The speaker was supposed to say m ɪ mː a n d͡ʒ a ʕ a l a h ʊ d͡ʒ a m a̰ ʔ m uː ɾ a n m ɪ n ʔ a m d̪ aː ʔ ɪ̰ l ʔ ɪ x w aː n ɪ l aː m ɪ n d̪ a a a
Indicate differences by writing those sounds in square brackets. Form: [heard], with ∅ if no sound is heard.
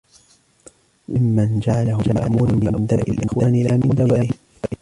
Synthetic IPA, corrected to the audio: m ɪ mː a n d͡ʒ a ʕ a l a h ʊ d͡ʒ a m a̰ ʔ m uː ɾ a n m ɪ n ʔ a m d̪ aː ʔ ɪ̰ l ʔ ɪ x w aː n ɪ l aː m ɪ n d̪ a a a